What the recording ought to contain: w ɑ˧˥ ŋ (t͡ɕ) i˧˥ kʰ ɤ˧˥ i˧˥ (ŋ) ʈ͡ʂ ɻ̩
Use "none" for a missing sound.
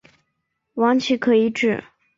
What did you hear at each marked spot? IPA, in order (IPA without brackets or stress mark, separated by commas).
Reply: t͡ɕʰ, none